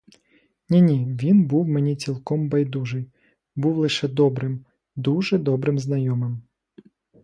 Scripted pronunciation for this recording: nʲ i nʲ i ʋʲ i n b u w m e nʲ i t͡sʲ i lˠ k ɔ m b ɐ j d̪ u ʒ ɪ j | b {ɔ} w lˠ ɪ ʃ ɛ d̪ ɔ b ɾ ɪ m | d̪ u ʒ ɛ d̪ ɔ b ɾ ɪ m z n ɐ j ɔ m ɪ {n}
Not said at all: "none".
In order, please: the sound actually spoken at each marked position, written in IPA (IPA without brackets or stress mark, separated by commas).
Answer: u, m